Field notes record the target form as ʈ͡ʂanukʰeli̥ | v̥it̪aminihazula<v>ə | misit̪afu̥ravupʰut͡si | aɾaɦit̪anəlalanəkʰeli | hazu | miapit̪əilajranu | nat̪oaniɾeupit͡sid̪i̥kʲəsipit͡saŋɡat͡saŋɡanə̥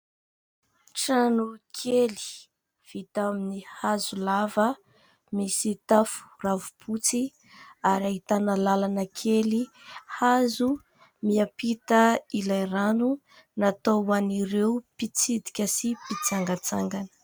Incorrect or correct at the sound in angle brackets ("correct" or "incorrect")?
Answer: correct